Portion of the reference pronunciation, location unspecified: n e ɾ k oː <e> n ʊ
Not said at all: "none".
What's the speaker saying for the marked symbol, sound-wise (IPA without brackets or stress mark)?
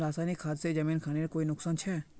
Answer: i